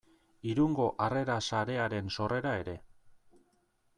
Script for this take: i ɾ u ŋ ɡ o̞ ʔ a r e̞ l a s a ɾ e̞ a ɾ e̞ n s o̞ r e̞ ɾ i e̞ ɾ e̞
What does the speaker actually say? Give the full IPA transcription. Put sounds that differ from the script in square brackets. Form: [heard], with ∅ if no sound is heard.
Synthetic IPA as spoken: i ɾ u ŋ ɡ o̞ ʔ a r e̞ [ɾ] a s a ɾ e̞ a ɾ e̞ n s o̞ r e̞ ɾ [a] e̞ ɾ e̞